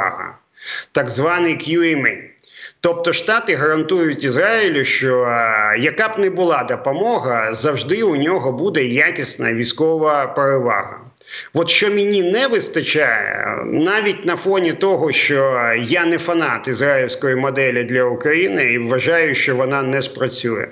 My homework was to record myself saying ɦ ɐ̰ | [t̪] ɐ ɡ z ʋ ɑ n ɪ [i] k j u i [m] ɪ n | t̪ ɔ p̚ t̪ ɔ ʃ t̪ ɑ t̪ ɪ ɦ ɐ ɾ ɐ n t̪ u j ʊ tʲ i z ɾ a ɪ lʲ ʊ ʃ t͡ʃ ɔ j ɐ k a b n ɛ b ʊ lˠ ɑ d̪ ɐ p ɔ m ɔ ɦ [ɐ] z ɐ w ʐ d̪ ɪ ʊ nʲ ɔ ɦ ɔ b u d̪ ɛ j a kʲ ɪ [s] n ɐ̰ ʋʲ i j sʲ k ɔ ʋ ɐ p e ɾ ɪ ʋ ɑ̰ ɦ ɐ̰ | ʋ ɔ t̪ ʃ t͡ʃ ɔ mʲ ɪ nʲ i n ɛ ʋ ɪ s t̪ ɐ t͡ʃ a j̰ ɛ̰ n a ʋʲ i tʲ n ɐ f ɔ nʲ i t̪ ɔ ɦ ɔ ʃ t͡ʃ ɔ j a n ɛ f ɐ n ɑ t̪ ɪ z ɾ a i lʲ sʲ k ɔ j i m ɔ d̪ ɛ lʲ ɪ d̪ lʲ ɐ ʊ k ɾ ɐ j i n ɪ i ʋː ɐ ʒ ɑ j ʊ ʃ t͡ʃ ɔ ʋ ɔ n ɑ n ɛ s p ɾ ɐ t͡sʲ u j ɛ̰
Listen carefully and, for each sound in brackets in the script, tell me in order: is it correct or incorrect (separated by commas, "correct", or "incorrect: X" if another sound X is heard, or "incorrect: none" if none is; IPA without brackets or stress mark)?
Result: correct, incorrect: j, correct, correct, correct